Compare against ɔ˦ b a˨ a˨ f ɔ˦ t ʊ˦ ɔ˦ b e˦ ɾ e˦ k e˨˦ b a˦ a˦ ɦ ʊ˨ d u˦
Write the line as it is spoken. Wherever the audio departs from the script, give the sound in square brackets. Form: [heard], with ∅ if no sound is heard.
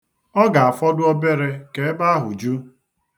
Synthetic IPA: ɔ˦ [ɡ] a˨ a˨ f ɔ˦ [d] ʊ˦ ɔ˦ b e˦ ɾ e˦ k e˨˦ b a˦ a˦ ɦ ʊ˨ [d͡ʒ] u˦